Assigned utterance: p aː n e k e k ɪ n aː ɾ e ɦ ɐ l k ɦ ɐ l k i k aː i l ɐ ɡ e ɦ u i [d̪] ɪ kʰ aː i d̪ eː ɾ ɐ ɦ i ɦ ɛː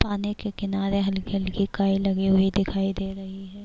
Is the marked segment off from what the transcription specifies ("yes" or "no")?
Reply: no